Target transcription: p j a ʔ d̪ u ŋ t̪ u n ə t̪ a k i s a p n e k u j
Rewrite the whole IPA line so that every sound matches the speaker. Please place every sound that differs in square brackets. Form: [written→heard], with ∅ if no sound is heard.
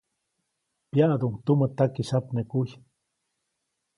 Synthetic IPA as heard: p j a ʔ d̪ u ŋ t̪ u [n→m] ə t̪ a k i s a p n e k u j

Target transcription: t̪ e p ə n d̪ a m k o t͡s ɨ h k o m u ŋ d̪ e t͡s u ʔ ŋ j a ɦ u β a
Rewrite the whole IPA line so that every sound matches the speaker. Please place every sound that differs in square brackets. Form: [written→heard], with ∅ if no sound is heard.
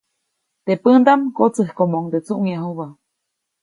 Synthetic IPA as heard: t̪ e p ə n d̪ a m k o t͡s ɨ h k o m [u→o] ŋ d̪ e t͡s u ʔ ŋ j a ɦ u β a

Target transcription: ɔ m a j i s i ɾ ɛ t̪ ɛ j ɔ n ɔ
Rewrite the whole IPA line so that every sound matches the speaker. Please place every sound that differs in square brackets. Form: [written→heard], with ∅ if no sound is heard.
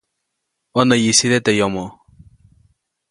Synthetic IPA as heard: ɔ [m→n] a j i s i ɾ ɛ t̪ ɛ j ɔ [n→m] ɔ

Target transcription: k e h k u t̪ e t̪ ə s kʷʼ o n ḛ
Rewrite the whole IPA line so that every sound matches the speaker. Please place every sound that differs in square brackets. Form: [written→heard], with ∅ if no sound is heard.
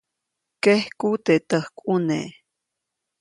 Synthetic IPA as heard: k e h k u t̪ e t̪ ə [s→h] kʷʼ [o→u] n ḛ

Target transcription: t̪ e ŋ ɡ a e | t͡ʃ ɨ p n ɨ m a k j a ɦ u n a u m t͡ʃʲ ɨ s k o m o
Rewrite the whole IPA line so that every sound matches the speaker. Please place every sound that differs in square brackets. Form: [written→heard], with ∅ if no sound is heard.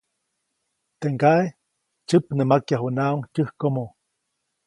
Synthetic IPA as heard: t̪ e ŋ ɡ a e | t͡ʃ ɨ p n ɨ m a k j a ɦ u n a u [m→ŋ] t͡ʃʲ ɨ [s→h] k o m o

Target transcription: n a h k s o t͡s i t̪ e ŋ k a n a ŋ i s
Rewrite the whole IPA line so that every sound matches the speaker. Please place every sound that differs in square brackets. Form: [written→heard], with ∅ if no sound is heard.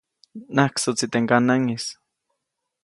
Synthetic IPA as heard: n a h k s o t͡s i t̪ e ŋ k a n a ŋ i s

